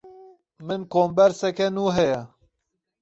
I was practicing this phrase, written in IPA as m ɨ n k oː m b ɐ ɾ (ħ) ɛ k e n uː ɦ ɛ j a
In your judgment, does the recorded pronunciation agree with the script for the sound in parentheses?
no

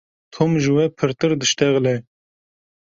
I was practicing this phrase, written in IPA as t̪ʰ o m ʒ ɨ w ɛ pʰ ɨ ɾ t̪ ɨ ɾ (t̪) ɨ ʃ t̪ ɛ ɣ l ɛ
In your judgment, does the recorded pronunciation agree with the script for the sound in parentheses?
no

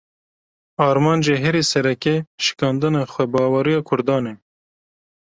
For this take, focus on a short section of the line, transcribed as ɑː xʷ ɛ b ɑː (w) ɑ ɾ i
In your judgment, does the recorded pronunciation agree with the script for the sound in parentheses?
yes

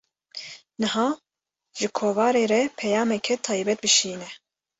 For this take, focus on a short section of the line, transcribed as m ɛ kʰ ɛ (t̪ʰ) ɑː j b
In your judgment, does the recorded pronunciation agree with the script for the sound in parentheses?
yes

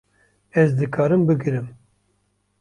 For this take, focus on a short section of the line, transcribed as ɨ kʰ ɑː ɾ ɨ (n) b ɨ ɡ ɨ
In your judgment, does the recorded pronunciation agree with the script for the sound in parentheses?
no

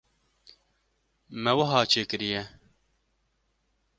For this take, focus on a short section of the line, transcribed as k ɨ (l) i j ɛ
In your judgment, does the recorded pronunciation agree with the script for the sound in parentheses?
no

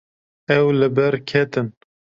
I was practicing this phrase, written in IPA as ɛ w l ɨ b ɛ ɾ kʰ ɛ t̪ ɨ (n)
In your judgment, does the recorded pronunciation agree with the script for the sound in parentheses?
yes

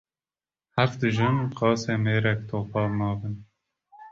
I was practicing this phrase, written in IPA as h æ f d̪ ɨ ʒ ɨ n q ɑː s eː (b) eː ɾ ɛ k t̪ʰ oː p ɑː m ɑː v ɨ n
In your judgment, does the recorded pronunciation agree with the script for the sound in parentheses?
no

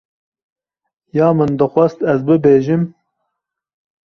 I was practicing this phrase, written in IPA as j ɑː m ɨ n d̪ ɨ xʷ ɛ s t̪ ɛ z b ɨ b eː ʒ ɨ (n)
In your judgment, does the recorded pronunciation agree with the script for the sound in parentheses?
no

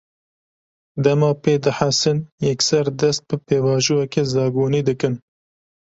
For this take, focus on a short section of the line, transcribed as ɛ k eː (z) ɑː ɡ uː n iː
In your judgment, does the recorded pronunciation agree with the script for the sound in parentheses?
yes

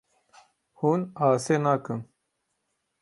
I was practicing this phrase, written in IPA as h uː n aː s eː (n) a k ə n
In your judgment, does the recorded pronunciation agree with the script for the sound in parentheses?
yes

